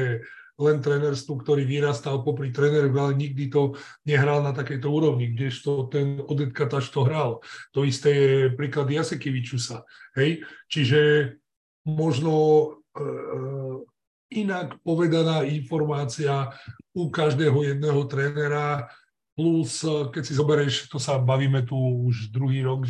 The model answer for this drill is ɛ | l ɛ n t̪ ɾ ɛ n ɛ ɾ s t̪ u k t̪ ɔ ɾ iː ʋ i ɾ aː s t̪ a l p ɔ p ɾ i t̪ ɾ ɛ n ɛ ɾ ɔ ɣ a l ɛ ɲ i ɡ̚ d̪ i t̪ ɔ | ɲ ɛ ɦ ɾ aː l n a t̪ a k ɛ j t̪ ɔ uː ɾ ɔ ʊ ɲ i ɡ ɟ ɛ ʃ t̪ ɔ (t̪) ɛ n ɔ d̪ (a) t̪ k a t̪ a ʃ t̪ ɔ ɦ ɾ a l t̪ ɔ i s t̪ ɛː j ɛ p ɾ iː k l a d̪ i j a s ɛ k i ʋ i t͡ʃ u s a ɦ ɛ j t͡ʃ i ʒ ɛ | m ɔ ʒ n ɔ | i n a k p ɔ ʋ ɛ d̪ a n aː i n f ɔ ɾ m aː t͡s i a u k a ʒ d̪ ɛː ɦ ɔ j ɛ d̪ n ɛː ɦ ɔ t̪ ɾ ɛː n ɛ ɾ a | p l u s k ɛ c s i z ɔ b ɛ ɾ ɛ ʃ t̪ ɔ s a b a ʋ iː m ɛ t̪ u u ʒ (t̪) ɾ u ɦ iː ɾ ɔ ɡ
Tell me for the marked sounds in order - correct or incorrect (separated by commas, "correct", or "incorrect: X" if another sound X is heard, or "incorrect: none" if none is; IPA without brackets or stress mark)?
correct, incorrect: ɛ, incorrect: d̪